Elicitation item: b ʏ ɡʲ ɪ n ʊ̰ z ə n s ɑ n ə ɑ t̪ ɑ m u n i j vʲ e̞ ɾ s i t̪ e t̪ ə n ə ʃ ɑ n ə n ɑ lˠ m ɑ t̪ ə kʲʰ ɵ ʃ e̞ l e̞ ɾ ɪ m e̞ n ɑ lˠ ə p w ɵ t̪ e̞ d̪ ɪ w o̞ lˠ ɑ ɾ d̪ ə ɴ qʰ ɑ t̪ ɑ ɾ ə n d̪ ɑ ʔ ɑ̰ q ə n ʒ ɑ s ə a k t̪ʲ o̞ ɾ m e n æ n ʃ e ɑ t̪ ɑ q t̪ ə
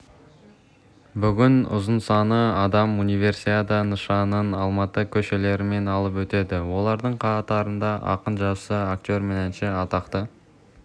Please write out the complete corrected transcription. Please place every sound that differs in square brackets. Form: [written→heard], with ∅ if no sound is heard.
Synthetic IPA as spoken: b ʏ ɡʲ ɪ n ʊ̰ z ə n s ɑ n ə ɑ [t̪→d̪] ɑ m u n i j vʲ e̞ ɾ s i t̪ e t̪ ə n ə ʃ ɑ n ə n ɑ lˠ m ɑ t̪ ə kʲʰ ɵ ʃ e̞ l e̞ ɾ ɪ m e̞ n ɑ lˠ ə p w ɵ t̪ e̞ d̪ ɪ w o̞ lˠ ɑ ɾ d̪ ə ɴ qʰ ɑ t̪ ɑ ɾ ə n d̪ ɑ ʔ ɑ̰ q ə n ʒ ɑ s ə a k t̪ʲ o̞ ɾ m e n æ n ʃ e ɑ t̪ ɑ q t̪ ə